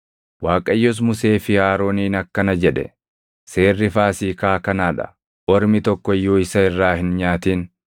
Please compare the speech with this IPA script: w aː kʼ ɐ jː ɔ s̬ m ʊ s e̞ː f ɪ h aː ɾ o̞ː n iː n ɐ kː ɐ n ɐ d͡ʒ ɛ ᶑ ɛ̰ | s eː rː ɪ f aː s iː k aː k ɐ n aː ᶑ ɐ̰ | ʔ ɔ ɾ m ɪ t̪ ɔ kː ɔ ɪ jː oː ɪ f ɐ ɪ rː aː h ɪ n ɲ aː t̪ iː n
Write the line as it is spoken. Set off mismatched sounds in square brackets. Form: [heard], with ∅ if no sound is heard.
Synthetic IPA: w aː kʼ ɐ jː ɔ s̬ m ʊ s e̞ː f ɪ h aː ɾ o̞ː n iː n ɐ kː ɐ n ɐ d͡ʒ ɛ ᶑ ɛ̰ | s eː rː ɪ f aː s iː k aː k ɐ n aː ᶑ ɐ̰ | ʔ ɔ ɾ m ɪ t̪ ɔ kː ɔ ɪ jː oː ɪ [s] ɐ ɪ rː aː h ɪ n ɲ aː t̪ iː n